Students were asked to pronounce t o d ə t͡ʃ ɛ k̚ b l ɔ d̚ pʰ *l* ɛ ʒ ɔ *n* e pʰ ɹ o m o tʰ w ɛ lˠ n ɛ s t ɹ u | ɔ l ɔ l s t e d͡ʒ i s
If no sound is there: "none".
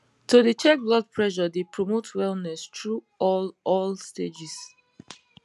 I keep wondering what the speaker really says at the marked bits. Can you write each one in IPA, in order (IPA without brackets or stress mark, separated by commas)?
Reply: ɹ, d